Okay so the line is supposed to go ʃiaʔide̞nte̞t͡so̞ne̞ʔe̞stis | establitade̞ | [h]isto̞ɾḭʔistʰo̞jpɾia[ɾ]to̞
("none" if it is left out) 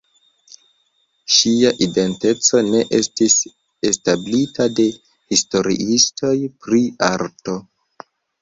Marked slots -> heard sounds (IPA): h, ɾ

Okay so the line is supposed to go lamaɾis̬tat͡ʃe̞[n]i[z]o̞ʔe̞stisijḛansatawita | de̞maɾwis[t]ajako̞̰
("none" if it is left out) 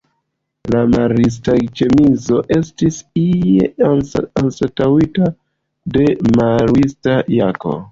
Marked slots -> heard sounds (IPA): m, z, t

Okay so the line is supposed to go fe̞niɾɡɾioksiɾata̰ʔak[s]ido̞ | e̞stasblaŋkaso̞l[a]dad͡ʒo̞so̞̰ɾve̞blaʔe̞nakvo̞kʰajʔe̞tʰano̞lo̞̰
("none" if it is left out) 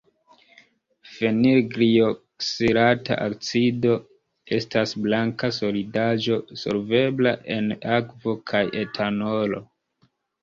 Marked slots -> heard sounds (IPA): t͡s, i

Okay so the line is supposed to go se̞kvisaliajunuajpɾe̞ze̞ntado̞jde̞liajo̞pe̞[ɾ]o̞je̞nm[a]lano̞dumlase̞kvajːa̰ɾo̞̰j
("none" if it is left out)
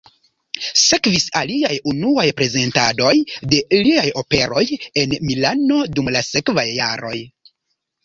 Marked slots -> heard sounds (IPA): ɾ, i

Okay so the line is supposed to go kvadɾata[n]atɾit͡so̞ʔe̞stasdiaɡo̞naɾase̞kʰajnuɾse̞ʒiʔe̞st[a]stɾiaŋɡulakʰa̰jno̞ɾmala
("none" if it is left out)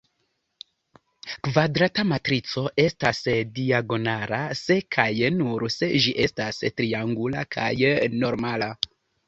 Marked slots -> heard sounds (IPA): m, a

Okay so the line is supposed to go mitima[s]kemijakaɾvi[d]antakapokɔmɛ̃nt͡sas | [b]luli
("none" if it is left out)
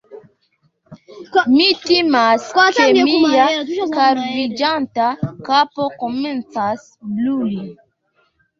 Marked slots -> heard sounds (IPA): s, d͡ʒ, b

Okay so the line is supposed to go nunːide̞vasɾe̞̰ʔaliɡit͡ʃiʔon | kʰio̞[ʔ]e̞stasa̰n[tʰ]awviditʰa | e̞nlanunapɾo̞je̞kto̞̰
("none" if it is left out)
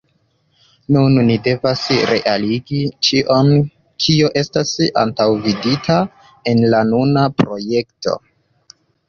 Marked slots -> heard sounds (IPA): ʔ, t

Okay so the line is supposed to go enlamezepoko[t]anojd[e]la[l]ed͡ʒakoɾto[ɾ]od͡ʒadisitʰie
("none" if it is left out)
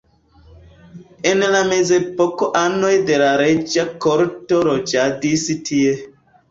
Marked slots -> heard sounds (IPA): ʔ, e, ɾ, ɾ

